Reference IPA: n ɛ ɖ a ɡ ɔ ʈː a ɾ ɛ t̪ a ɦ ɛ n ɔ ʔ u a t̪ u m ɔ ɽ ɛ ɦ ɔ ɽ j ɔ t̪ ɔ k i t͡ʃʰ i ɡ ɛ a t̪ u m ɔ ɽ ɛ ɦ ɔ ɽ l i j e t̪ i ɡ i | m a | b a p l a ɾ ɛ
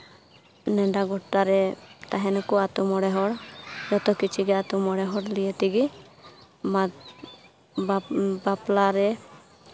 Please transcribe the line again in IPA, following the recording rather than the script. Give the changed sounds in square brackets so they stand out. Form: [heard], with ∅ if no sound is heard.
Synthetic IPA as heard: n ɛ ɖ a ɡ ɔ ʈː a ɾ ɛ t̪ a ɦ ɛ n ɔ [k] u a t̪ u m ɔ ɽ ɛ ɦ ɔ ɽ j ɔ t̪ ɔ k i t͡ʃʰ i ɡ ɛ a t̪ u m ɔ ɽ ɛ ɦ ɔ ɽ l i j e t̪ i ɡ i | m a | b a p l a ɾ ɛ